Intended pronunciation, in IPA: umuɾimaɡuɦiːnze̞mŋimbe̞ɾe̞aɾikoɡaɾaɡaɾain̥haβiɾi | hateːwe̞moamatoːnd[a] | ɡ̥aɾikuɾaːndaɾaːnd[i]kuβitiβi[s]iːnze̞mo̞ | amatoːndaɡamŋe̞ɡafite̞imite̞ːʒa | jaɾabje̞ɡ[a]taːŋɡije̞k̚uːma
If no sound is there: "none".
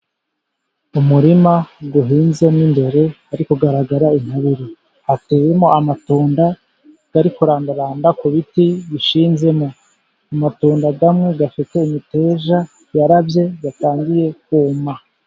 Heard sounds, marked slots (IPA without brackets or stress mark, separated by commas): a, a, ʃ, a